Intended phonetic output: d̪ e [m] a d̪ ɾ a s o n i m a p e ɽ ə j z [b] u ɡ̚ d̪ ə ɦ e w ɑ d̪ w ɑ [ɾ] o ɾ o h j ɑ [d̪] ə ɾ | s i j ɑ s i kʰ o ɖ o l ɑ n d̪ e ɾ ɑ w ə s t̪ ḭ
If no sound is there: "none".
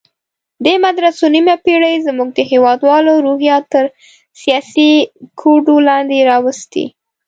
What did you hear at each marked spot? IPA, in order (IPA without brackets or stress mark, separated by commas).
m, m, l, t̪